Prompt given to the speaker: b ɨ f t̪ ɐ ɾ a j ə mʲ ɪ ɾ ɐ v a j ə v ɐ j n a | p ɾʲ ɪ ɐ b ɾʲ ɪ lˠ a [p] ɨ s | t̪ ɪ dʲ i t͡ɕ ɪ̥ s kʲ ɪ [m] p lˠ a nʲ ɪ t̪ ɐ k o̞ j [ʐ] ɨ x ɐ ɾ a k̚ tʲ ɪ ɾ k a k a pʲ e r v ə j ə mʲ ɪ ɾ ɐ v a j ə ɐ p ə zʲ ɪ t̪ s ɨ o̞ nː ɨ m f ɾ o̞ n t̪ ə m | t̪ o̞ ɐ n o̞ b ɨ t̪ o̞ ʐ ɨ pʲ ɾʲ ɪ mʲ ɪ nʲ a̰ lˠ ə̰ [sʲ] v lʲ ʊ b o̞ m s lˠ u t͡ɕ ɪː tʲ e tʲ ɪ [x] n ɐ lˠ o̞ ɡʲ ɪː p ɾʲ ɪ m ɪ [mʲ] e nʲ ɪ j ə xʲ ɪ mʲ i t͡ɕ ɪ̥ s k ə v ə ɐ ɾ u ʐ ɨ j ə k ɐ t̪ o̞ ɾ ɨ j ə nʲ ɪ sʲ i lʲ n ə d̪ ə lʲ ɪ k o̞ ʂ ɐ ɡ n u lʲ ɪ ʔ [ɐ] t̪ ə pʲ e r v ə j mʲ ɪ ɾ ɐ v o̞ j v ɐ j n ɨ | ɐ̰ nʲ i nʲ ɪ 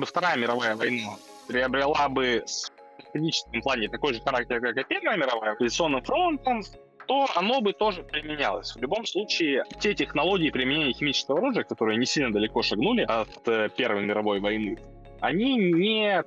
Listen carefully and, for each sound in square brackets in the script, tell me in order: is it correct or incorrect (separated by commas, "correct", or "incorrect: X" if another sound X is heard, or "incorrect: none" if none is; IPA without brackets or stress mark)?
incorrect: b, correct, correct, correct, correct, incorrect: nʲ, correct